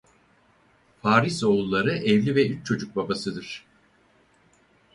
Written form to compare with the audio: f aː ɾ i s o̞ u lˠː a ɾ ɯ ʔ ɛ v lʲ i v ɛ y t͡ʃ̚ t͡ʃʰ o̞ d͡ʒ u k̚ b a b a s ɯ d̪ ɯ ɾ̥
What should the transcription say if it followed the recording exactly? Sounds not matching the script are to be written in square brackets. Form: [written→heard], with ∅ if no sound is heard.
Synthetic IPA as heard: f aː ɾ i s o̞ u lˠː a ɾ ɯ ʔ ɛ v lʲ i v ɛ y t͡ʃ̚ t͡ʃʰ o̞ d͡ʒ u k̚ b a b a s ɯ d̪ ɯ ɾ̥